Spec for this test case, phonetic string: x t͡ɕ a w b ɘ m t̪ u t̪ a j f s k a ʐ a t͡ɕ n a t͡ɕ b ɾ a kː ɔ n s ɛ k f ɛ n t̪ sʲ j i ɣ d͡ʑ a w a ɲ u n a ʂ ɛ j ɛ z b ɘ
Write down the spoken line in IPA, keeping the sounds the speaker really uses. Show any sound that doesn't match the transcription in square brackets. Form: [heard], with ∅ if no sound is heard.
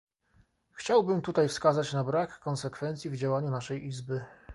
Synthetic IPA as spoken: x t͡ɕ a w b ɘ m t̪ u t̪ a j f s k a [z] a t͡ɕ n a [∅] b ɾ a kː ɔ n s ɛ k f ɛ n t̪ sʲ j i [v] d͡ʑ a w a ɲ u n a ʂ ɛ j [i] z b ɘ